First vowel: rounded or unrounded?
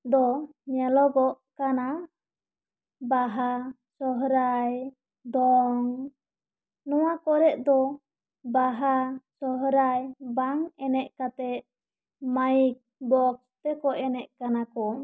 rounded